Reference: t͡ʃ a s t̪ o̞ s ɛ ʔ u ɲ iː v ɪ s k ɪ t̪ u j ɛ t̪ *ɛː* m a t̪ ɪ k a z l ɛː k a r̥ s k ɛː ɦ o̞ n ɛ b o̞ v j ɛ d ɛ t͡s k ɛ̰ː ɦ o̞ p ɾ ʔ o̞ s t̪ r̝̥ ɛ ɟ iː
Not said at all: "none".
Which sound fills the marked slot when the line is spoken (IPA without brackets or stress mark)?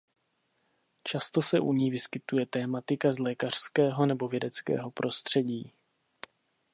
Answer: ɛː